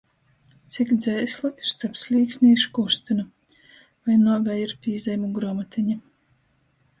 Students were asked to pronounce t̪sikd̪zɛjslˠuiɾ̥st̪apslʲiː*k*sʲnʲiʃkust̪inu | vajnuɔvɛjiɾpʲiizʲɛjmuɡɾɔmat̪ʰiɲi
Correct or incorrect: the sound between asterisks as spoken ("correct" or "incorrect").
correct